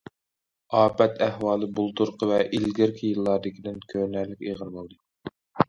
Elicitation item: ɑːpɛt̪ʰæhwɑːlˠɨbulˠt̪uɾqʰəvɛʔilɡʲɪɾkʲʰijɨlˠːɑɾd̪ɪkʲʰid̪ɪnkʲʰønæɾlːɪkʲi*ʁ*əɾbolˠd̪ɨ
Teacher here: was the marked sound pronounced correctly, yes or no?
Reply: yes